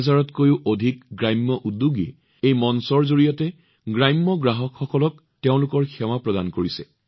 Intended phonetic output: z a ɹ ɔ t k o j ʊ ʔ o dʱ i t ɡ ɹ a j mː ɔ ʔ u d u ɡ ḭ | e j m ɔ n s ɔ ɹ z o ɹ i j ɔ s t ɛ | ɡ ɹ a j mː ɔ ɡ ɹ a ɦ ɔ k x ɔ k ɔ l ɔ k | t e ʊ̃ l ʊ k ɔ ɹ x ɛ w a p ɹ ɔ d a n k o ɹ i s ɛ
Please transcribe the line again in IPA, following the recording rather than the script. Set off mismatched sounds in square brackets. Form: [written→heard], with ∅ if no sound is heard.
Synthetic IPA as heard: z a ɹ ɔ t k o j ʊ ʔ o dʱ i [t→k] ɡ ɹ a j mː ɔ ʔ u d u ɡ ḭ | e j m ɔ n s ɔ ɹ z o ɹ i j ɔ [s→∅] t ɛ | ɡ ɹ a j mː ɔ ɡ ɹ a ɦ ɔ k x ɔ k ɔ l ɔ k | t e ʊ̃ l ʊ k ɔ ɹ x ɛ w a p ɹ ɔ d a n k o ɹ i s ɛ